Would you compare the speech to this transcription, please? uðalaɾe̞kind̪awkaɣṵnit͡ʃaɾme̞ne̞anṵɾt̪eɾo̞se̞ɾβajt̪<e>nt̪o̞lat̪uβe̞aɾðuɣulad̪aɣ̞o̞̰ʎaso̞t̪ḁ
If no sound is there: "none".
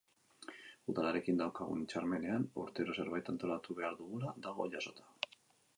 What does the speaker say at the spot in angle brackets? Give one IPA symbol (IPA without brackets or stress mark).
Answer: a